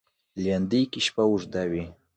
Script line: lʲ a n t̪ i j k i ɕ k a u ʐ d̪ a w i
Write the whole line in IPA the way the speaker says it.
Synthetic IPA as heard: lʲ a n d̪ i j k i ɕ p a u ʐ d̪ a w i